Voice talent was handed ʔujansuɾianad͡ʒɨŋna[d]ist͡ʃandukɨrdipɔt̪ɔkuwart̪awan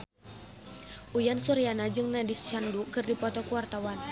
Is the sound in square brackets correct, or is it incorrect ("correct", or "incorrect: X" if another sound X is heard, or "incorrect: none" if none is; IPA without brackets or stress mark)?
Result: correct